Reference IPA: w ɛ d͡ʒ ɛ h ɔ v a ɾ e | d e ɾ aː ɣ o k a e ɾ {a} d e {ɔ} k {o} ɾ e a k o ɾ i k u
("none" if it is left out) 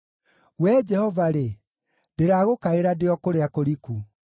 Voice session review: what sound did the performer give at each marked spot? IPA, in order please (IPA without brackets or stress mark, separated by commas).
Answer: a, ɔ, o